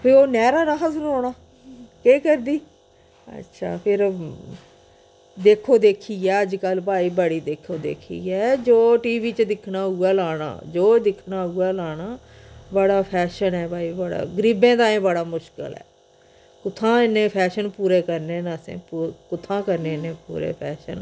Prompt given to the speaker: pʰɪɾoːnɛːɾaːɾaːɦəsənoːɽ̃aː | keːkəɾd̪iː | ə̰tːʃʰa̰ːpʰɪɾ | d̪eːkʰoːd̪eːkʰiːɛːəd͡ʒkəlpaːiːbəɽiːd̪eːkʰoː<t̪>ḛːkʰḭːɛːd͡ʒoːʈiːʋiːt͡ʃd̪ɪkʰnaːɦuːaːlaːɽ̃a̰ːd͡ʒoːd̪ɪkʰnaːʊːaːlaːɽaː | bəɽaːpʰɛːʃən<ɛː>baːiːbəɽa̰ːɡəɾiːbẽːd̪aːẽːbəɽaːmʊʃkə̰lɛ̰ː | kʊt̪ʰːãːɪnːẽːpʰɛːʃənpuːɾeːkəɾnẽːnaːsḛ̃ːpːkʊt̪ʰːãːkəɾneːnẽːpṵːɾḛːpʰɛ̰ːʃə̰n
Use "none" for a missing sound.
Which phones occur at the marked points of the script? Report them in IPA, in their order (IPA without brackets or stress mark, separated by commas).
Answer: d̪, ɛː